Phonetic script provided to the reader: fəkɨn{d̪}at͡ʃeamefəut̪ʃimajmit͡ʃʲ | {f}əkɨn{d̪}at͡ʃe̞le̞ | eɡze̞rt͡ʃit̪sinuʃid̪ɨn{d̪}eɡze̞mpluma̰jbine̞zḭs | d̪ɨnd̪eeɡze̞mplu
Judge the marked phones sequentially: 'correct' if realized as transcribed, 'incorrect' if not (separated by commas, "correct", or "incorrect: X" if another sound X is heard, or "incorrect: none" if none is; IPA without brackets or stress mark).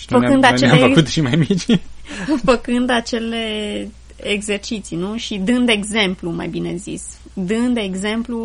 correct, correct, correct, correct